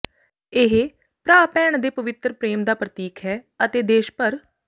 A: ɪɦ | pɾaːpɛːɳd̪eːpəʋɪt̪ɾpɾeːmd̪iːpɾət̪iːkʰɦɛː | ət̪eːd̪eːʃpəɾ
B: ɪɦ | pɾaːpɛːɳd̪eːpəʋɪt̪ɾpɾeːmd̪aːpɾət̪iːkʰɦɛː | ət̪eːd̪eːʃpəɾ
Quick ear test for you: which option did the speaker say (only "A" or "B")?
B